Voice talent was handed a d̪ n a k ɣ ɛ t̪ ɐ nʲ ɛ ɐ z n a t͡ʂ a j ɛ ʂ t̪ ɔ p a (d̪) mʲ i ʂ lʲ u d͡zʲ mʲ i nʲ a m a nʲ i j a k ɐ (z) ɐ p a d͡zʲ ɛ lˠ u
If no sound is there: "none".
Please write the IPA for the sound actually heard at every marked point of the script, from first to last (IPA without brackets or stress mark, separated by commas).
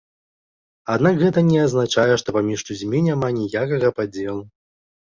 none, ɣ